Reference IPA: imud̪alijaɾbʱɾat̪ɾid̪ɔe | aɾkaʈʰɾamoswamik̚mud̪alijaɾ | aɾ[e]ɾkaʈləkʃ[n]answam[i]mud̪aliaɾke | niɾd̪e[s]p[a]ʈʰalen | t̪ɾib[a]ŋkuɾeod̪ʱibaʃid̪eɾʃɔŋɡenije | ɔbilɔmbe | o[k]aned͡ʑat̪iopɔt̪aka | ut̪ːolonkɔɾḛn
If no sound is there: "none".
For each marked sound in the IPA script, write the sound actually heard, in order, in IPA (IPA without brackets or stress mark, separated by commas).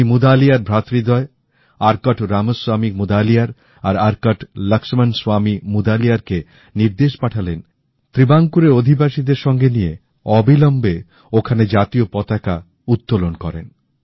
a, m, i, ʃ, a, a, kʰ